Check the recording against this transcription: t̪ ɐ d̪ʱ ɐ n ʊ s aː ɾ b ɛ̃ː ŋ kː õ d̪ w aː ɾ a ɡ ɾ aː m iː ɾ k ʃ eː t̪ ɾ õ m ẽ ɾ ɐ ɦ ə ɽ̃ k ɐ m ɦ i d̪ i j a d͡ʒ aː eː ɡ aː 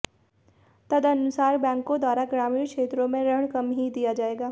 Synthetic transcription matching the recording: t̪ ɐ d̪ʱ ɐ n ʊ s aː ɾ b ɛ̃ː ŋ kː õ d̪ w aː ɾ a ɡ ɾ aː m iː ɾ k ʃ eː t̪ ɾ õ m ẽ ɾ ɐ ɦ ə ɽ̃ k ɐ m ɦ i d̪ i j a d͡ʒ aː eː ɡ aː